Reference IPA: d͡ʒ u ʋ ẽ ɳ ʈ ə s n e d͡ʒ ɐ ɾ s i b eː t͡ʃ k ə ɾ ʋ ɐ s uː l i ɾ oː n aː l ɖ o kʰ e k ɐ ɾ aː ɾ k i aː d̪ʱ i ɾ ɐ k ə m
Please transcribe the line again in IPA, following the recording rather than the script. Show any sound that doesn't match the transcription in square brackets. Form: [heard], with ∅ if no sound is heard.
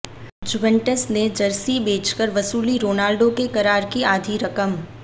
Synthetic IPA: d͡ʒ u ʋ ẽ ɳ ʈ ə s n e d͡ʒ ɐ ɾ s i b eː t͡ʃ k ə ɾ ʋ ɐ s uː l i ɾ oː n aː l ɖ o [k] e k ɐ ɾ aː ɾ k i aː d̪ʱ i ɾ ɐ k ə m